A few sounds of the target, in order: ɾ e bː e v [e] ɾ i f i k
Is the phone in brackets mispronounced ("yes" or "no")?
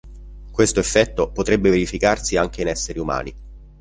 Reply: no